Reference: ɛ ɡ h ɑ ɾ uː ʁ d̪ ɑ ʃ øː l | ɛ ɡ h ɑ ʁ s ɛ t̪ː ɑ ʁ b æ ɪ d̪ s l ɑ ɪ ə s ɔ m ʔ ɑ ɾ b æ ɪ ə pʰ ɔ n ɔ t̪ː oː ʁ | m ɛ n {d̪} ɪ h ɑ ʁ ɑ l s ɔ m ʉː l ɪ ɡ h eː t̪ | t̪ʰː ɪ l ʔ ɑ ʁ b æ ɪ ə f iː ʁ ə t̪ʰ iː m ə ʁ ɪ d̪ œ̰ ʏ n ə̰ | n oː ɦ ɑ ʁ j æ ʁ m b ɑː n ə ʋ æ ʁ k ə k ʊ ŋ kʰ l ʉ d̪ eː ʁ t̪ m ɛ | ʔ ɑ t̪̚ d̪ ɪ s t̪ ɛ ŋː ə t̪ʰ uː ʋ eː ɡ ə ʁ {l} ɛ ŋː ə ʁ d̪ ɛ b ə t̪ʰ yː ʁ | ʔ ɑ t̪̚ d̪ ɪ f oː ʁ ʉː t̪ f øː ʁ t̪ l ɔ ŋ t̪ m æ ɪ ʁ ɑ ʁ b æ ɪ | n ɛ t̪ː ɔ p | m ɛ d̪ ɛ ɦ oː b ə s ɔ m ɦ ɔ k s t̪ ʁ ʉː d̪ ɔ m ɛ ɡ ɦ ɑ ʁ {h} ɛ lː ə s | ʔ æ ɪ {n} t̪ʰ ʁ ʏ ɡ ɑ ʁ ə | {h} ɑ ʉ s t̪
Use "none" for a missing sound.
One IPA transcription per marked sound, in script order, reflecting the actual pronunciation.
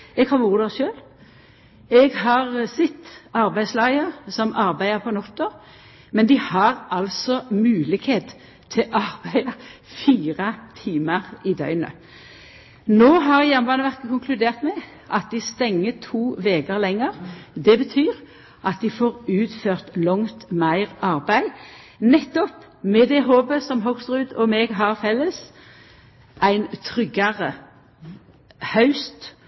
d̪, l, f, n, h

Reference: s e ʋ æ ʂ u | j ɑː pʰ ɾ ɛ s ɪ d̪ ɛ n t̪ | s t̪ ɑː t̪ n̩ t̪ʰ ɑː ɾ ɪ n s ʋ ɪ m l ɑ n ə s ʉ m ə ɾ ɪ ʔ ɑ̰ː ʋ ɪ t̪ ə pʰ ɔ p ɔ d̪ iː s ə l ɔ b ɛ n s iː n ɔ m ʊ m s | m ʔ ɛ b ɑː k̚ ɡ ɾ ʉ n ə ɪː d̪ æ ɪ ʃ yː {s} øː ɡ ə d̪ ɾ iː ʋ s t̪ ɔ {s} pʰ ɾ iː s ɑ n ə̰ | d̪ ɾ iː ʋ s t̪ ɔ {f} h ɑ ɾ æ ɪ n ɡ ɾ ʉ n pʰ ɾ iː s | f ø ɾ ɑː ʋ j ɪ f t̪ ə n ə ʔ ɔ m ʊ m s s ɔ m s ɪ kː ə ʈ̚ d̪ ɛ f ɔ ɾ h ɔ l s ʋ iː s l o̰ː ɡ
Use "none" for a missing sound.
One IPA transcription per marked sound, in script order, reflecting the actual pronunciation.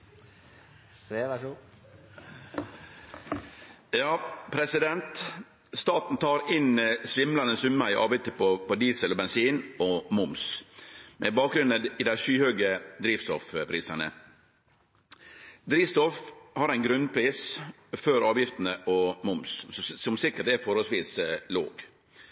h, f, f

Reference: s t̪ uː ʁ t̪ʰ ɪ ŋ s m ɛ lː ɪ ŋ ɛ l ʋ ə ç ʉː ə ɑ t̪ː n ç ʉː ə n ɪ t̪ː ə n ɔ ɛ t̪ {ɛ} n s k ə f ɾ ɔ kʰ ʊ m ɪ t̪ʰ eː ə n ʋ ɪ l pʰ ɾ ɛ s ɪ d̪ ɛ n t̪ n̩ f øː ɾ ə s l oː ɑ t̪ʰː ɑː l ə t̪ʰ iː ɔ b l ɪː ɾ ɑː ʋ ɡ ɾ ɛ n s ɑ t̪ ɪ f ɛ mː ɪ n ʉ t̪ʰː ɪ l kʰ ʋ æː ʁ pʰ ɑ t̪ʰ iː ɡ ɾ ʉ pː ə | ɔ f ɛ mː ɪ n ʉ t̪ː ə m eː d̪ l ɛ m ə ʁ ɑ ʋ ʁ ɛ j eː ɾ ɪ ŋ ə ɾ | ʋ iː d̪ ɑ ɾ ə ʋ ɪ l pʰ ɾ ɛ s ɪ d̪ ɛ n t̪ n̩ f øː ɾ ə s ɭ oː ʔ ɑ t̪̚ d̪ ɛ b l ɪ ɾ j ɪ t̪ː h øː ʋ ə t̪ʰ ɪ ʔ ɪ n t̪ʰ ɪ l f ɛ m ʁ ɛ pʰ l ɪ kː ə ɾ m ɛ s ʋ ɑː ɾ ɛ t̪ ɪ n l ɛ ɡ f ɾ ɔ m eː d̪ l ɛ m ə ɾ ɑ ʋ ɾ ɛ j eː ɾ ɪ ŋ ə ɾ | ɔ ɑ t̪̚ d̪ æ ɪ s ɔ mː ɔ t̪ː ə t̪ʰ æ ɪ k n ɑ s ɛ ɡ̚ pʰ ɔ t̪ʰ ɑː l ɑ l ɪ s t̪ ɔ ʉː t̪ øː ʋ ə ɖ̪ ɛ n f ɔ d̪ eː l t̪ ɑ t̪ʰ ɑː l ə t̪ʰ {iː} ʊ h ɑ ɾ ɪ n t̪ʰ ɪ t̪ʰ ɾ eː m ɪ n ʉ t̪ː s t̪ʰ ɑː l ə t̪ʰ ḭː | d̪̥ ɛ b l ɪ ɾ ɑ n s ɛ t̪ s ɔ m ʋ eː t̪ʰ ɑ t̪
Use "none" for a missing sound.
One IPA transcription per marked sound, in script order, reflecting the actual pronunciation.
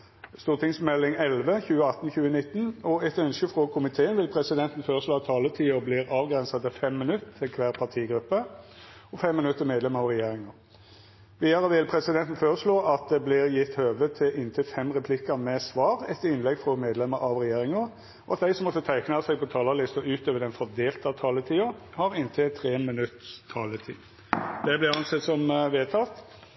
œ, iː

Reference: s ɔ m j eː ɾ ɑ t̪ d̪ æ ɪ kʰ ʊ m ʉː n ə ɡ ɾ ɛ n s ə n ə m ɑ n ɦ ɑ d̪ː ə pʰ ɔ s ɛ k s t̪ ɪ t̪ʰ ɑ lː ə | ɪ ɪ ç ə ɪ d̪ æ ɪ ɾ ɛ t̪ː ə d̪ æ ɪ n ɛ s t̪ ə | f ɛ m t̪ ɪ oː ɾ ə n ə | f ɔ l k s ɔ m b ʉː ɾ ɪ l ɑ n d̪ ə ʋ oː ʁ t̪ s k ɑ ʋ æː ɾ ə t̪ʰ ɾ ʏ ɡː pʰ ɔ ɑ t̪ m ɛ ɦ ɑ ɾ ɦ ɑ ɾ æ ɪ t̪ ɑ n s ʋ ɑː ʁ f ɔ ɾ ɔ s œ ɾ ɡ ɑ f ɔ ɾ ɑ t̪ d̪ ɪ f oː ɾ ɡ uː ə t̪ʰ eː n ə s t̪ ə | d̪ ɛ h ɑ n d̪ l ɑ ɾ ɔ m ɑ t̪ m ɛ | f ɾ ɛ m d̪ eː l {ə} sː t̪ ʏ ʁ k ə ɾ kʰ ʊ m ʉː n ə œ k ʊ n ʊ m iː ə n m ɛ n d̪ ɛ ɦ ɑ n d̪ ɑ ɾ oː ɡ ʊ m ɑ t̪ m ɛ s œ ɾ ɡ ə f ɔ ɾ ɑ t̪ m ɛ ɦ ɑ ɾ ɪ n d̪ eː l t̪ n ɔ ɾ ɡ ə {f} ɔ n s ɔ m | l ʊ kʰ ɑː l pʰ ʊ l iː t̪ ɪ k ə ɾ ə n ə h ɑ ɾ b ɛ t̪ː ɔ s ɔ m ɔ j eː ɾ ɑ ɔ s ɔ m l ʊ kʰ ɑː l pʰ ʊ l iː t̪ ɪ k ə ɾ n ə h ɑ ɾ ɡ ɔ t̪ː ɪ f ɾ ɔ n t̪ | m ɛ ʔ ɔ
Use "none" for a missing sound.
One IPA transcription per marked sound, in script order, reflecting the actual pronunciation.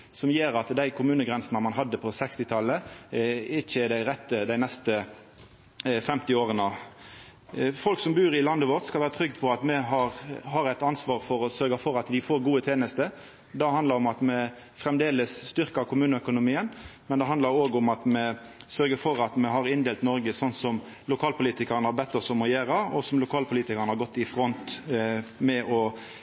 ə, s

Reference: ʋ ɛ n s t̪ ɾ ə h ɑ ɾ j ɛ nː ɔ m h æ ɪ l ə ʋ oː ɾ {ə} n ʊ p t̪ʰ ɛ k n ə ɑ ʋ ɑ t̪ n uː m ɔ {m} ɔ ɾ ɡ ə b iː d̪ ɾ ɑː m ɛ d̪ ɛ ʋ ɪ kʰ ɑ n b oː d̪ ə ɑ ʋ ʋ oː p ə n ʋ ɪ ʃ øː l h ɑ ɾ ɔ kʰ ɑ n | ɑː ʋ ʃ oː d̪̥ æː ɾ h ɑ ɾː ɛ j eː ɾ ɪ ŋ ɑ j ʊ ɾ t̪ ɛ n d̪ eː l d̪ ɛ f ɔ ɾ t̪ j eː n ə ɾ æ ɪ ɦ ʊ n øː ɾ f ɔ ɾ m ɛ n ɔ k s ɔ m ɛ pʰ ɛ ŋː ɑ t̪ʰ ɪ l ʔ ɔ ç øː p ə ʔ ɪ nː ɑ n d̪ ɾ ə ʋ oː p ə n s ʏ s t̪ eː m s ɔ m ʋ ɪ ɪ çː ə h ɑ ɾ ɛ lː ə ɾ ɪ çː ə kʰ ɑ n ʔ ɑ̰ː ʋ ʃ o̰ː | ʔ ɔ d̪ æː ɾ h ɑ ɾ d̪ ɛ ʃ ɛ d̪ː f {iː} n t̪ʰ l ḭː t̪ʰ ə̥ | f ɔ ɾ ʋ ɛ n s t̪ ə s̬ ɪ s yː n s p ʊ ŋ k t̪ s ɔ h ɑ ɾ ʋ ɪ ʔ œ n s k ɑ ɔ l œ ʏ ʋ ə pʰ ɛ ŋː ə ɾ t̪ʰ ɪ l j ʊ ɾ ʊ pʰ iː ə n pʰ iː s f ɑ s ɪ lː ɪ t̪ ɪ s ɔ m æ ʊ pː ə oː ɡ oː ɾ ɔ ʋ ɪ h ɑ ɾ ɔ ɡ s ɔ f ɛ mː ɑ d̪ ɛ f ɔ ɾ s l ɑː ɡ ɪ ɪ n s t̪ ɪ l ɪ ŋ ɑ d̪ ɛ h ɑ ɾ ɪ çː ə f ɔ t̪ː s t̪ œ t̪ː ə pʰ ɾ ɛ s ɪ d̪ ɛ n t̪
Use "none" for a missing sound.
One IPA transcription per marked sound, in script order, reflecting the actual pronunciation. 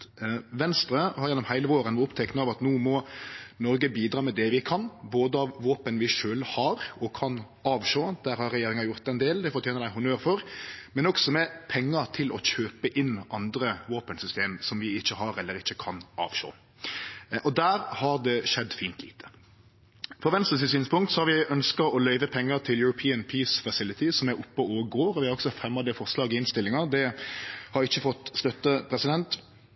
ə, n, iː

